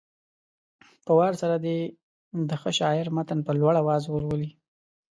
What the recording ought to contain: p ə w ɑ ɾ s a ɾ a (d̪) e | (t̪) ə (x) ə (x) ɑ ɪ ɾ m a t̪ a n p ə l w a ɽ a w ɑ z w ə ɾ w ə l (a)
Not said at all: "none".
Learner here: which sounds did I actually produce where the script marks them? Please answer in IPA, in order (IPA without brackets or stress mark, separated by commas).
d̪, d̪, x, ʃ, i